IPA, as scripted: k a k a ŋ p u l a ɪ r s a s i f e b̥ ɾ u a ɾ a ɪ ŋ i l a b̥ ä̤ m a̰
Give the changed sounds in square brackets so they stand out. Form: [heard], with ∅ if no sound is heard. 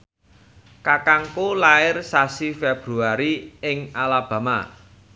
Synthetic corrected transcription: k a k a ŋ [k] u l a ɪ r s a s i f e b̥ ɾ u a ɾ [i] ɪ ŋ [a] l a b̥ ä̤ m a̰